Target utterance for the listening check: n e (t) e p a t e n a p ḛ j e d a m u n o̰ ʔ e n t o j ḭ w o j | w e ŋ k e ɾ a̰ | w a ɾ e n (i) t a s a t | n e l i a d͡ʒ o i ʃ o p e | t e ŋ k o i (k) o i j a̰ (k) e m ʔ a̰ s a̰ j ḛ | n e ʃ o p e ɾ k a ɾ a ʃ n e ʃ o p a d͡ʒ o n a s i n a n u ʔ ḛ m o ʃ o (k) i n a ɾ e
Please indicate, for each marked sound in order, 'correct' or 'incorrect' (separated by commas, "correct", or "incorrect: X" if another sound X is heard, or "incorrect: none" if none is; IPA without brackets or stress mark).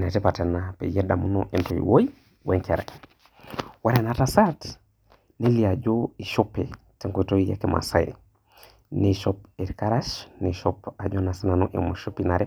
correct, incorrect: a, incorrect: t, correct, incorrect: p